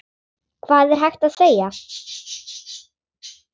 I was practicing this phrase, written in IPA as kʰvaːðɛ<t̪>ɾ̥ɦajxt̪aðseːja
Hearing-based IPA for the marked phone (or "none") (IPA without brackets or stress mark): none